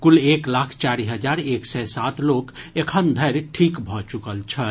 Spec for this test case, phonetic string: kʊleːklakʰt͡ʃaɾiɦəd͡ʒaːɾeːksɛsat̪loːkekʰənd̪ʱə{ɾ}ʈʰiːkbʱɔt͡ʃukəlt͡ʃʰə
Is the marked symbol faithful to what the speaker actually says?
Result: yes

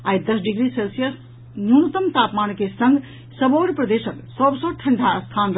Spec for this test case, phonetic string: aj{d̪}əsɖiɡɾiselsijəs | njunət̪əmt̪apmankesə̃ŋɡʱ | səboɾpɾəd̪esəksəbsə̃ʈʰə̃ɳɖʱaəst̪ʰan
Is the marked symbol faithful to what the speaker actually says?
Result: yes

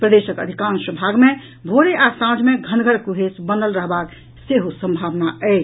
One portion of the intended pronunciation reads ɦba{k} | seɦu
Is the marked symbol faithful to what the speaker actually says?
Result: yes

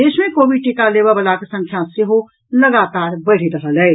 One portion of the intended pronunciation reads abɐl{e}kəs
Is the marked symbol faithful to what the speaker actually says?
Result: no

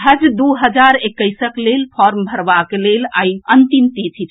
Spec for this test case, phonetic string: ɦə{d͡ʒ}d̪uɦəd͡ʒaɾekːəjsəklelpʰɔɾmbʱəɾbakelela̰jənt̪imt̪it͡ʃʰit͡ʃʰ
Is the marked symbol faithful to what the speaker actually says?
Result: yes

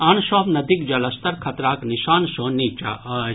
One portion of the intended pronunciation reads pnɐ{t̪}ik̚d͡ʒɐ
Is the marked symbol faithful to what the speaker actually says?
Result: no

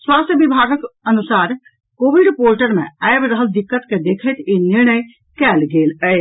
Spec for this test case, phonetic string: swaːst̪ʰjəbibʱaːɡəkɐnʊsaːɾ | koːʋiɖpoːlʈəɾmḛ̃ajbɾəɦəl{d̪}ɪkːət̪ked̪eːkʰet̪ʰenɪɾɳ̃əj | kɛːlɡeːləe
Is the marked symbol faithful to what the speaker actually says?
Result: yes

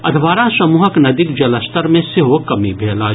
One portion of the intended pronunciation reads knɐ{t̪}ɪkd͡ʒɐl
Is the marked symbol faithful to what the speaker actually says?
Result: no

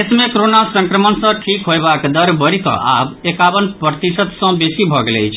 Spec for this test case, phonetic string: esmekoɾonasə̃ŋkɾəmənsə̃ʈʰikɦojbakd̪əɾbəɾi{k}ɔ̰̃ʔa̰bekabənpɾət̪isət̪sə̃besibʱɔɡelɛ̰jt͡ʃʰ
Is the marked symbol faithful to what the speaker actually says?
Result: yes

